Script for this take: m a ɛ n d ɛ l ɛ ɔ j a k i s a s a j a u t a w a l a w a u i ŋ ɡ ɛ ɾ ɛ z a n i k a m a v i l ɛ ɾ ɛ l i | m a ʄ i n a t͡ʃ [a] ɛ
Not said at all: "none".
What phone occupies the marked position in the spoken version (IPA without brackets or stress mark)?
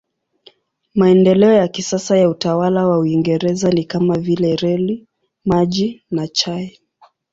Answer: a